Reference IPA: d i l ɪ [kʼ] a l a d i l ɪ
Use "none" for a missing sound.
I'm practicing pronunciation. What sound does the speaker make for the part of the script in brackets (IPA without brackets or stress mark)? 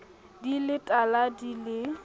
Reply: tʼ